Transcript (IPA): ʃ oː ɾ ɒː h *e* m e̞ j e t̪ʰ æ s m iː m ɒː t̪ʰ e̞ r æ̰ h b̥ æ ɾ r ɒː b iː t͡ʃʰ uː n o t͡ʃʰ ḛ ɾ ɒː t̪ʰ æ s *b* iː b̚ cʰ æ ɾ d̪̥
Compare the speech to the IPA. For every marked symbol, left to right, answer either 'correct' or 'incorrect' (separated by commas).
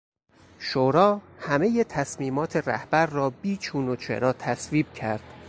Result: incorrect, incorrect